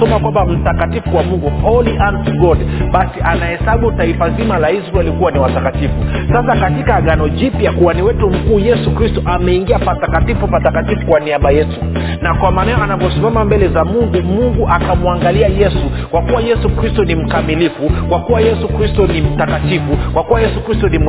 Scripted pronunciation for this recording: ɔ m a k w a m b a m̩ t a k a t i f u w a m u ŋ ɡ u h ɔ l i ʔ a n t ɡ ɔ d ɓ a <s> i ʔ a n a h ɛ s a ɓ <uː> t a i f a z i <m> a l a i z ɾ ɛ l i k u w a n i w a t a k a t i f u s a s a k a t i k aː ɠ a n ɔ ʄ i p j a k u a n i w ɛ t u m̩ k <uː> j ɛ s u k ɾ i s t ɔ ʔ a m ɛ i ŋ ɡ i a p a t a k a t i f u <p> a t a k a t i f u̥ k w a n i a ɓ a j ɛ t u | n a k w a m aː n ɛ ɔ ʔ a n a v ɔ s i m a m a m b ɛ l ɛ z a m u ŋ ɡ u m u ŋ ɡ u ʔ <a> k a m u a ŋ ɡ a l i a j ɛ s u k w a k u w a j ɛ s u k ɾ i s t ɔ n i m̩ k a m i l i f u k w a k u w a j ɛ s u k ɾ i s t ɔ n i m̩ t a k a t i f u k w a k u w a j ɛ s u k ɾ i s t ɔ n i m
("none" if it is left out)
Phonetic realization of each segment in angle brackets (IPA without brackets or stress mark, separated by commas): s, u, m, uː, p, a